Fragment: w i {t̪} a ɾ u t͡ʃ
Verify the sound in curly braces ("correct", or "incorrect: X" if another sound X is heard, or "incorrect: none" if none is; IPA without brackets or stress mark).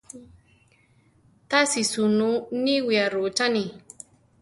incorrect: none